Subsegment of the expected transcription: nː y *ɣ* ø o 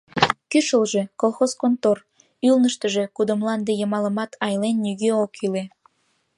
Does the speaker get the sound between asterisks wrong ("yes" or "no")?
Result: no